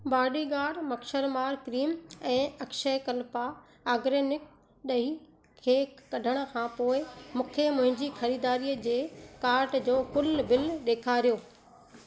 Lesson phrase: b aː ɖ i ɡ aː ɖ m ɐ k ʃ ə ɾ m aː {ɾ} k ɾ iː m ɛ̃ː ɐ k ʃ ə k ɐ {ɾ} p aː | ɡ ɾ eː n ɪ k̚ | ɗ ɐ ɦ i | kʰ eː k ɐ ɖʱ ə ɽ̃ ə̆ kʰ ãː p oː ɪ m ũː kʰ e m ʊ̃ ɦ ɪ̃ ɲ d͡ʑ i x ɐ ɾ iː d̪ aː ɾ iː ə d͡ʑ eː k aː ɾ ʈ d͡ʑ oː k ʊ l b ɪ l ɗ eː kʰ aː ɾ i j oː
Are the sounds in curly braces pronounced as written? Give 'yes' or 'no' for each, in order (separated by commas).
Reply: yes, no